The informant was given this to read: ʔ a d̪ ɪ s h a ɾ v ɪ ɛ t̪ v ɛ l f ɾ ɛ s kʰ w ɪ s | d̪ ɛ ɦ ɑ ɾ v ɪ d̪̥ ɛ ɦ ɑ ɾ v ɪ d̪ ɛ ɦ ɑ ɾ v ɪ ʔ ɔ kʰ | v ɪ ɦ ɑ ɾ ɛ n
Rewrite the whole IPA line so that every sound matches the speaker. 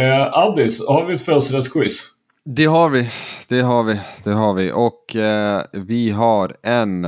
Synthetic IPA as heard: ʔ a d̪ ɪ s h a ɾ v ɪ ɛ t̪ f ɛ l s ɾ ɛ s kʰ w ɪ s | d̪ ɛ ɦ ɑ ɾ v ɪ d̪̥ ɛ ɦ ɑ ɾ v ɪ d̪ ɛ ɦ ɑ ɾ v ɪ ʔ ɔ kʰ | v ɪ ɦ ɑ ɾ ɛ n